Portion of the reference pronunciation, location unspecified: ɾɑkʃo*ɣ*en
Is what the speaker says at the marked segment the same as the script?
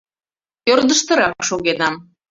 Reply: yes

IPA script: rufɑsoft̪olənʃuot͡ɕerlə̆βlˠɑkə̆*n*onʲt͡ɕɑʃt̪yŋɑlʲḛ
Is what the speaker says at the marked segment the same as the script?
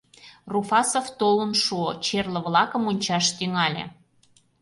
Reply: no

